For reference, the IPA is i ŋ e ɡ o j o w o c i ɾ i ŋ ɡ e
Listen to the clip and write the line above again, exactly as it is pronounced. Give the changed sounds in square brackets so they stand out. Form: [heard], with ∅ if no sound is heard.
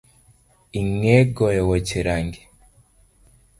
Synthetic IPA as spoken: i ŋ e ɡ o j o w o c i ɾ [a] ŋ ɡ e